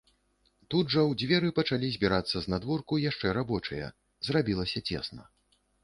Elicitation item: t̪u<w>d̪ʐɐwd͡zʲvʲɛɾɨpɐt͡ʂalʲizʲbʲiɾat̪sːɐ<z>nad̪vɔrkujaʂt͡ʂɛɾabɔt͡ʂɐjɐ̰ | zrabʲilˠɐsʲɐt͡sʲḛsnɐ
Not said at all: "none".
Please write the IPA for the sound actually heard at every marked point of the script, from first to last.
none, z

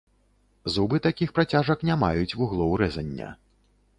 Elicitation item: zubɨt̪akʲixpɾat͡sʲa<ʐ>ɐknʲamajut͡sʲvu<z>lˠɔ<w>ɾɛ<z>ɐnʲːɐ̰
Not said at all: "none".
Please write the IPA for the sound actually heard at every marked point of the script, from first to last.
ʐ, ɣ, w, z

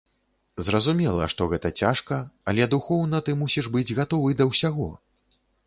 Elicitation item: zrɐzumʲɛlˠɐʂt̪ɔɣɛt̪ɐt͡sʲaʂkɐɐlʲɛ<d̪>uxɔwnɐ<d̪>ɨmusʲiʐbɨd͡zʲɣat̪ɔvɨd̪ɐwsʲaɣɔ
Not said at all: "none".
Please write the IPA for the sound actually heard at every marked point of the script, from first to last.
d̪, t̪

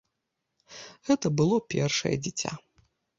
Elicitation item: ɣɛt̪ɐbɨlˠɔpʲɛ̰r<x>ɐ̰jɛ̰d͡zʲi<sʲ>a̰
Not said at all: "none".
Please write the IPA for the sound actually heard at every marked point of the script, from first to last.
ʂ, t͡sʲ

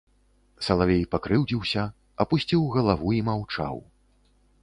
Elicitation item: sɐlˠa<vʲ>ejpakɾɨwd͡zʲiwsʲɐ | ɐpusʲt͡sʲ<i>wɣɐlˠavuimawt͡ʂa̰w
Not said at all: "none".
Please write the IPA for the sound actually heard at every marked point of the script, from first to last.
vʲ, i

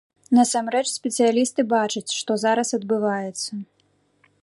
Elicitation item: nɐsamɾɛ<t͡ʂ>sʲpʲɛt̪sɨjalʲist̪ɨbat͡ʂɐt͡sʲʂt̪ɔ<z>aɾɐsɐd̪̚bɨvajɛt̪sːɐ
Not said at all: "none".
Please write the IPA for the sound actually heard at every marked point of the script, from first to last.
t͡ʂ, z

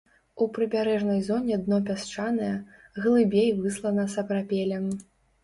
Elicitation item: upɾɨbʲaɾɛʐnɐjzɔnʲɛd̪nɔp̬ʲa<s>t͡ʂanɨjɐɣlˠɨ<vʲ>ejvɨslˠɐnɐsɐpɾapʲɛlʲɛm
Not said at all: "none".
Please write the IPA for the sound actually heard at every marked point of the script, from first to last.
s, bʲ

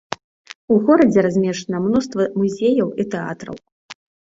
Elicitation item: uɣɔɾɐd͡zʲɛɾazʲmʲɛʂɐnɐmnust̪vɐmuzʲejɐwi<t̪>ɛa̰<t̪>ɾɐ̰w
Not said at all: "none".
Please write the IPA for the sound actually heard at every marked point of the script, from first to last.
t̪, t̪

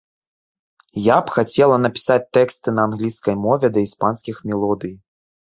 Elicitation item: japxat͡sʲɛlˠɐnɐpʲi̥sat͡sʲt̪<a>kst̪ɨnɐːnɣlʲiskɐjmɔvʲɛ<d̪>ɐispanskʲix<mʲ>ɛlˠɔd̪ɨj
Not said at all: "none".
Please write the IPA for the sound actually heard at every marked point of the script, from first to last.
ɛ, d̪, mʲ

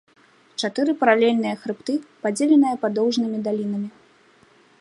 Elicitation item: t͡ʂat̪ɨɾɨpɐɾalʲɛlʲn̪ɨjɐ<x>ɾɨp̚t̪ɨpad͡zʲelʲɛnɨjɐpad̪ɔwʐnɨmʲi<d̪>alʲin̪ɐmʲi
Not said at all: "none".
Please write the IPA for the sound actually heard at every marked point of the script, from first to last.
x, d̪

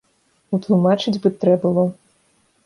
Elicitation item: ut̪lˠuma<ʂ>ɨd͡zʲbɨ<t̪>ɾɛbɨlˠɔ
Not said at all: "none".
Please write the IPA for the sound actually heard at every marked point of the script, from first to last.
t͡ʂ, t̪

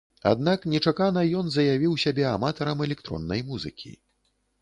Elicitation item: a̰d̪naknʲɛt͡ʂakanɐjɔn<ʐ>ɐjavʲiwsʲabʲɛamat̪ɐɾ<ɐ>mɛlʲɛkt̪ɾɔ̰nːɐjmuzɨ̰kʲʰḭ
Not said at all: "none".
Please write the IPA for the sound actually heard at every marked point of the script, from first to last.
z, ɐ

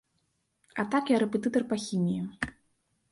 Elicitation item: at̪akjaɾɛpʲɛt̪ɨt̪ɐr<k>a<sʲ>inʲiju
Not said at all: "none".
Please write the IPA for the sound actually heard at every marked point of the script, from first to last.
p, xʲ

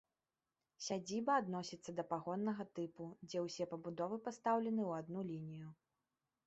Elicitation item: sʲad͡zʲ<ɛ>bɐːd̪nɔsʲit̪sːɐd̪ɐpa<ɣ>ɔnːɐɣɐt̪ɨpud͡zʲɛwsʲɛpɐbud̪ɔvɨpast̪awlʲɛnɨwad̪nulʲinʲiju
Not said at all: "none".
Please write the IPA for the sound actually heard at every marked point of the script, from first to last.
i, ɣ

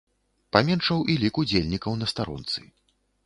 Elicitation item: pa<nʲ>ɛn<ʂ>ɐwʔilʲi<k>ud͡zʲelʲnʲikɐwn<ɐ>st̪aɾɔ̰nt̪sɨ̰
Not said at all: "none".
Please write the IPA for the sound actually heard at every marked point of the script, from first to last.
mʲ, ʂ, k, ɐ

